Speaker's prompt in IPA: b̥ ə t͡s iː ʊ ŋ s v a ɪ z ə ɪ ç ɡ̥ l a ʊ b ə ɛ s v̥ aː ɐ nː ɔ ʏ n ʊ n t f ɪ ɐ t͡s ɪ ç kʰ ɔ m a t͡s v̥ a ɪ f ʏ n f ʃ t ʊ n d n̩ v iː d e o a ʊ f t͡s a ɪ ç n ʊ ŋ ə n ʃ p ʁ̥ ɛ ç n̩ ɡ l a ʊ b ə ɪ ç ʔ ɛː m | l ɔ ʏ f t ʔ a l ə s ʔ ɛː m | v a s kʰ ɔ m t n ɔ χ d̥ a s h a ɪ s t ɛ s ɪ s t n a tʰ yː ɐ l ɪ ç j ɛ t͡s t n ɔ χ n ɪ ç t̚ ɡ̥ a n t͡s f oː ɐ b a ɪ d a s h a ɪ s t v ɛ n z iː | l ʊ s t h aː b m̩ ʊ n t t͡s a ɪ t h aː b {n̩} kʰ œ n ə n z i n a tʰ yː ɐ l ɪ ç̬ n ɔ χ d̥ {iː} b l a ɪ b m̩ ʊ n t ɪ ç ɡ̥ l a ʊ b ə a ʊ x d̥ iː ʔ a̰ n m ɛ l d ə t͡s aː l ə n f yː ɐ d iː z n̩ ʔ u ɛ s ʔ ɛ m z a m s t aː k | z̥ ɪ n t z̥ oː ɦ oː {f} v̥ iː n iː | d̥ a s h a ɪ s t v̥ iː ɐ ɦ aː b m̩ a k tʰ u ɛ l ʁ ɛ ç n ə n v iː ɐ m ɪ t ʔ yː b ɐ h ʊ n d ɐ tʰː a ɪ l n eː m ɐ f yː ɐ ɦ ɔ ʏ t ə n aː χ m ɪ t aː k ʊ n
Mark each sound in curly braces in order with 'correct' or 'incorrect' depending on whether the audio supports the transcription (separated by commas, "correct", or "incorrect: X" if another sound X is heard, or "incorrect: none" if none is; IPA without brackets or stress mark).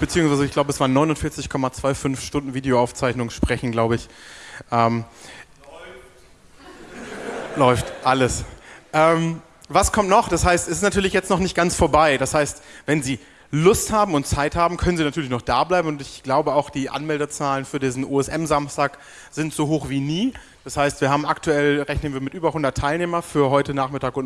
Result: incorrect: m̩, incorrect: aː, incorrect: x